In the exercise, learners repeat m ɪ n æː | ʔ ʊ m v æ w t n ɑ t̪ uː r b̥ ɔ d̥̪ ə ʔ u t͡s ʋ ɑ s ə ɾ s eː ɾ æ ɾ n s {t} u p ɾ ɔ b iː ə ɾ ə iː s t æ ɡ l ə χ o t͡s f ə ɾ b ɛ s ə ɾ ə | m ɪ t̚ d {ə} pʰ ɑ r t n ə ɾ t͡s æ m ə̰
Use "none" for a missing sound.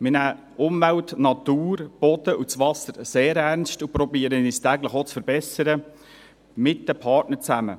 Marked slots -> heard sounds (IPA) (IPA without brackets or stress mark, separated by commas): t, ə